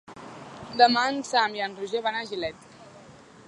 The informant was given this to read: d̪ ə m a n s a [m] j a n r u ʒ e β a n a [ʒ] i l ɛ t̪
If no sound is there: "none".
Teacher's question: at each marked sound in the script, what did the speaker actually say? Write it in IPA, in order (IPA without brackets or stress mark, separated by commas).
m, ʒ